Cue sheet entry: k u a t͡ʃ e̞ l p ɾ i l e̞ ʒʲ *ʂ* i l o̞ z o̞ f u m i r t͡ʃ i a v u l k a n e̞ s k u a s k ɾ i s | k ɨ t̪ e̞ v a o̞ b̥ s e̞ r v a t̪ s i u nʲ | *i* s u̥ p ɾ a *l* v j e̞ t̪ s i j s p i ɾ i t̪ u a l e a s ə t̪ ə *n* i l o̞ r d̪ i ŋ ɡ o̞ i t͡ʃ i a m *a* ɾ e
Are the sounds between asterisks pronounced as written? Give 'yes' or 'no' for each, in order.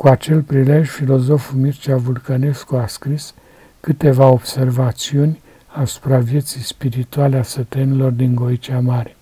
no, no, no, yes, yes

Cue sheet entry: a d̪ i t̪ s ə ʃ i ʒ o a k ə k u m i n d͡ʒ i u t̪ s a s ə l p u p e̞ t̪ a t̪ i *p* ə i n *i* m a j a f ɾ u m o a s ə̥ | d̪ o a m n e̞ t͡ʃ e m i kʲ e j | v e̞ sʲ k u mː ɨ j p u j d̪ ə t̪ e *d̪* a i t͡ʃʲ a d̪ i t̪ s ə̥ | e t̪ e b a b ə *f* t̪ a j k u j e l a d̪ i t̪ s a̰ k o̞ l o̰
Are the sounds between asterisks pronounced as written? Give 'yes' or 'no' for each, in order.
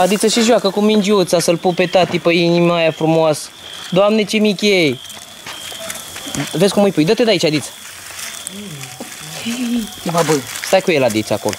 yes, yes, yes, no

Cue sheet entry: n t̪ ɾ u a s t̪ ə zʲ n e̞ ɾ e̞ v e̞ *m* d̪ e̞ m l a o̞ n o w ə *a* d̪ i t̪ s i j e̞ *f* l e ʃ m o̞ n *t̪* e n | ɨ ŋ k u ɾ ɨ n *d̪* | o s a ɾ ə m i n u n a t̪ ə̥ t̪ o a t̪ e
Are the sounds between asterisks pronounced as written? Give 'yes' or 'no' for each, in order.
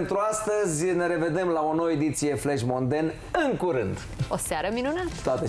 no, no, yes, no, yes

